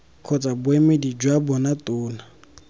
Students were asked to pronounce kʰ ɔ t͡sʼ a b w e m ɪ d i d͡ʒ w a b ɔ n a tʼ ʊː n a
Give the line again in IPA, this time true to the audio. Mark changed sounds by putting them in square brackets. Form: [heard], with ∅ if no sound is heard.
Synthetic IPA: kʰ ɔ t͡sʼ a b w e m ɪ d i d͡ʒ w a b ɔ n a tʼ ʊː n a